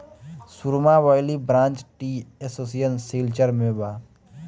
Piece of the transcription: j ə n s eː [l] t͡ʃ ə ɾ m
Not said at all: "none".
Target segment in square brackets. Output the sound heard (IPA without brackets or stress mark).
l